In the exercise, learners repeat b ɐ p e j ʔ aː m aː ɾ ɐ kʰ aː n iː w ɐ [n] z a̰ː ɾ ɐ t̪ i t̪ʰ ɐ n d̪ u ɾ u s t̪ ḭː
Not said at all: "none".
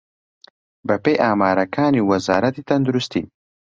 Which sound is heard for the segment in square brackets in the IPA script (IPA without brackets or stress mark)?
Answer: none